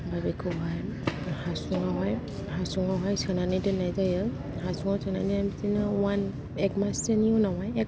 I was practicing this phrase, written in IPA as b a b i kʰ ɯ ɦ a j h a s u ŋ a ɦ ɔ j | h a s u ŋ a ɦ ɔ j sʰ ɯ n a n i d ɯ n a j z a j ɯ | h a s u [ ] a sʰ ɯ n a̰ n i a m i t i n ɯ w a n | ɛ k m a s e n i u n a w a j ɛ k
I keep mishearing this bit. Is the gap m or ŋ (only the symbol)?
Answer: ŋ